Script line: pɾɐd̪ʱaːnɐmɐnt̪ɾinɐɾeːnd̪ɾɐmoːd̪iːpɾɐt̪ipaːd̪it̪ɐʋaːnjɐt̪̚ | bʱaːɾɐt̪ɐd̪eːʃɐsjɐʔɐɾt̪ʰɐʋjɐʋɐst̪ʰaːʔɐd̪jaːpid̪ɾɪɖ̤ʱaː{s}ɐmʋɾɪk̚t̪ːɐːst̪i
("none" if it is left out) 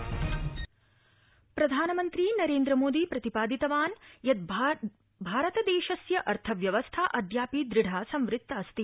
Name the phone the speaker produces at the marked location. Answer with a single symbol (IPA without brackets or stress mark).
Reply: s